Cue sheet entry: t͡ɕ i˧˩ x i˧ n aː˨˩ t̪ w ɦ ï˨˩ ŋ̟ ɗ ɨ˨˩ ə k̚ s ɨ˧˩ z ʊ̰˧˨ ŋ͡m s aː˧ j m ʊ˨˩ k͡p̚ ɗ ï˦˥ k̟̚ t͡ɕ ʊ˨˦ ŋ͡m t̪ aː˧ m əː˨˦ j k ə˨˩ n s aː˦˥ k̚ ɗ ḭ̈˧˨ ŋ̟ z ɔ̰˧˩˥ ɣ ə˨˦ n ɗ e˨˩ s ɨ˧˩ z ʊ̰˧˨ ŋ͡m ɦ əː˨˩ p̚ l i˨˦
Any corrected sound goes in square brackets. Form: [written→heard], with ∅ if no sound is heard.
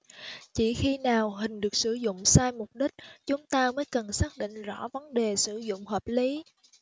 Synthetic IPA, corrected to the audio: t͡ɕ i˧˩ x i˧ n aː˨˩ [t̪→∅] w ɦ ï˨˩ ŋ̟ ɗ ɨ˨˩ ə k̚ s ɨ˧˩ z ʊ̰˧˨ ŋ͡m s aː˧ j m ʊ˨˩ k͡p̚ ɗ ï˦˥ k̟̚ t͡ɕ ʊ˨˦ ŋ͡m t̪ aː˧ m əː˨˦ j k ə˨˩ n s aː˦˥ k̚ ɗ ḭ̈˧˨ ŋ̟ z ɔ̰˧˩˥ [ɣ→v] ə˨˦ n ɗ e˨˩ s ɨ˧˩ z ʊ̰˧˨ ŋ͡m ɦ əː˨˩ p̚ l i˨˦